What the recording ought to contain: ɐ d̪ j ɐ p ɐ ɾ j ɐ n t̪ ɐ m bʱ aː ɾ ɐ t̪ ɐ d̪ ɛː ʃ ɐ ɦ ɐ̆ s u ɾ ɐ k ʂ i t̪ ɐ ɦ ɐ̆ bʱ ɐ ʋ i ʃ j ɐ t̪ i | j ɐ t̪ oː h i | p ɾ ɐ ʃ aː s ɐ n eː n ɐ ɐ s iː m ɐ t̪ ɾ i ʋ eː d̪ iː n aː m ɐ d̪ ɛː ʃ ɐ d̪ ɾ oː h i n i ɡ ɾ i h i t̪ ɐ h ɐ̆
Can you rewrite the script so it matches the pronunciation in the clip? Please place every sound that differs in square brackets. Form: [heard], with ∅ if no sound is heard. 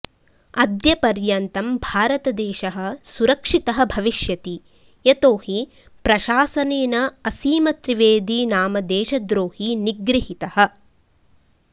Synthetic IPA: ɐ d̪ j ɐ p ɐ ɾ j ɐ n t̪ ɐ m bʱ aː ɾ ɐ t̪ ɐ d̪ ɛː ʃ ɐ ɦ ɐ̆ s u ɾ ɐ k ʂ i t̪ ɐ ɦ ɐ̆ bʱ ɐ ʋ i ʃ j ɐ t̪ i | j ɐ t̪ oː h i | p ɾ ɐ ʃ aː s ɐ n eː n ɐ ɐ s iː m ɐ t̪ ɾ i ʋ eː d̪ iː n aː m ɐ d̪ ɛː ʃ ɐ d̪ ɾ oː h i n i ɡ ɾ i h i t̪ ɐ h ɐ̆